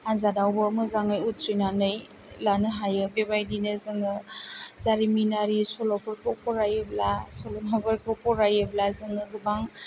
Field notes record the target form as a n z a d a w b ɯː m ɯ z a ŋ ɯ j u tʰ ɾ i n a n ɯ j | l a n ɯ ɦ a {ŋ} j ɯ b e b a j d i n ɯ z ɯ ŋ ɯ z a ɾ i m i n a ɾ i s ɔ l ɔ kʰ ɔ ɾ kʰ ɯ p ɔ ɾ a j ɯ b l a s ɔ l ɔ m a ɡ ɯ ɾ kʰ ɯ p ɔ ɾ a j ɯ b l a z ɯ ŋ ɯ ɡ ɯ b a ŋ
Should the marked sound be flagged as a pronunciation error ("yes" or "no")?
yes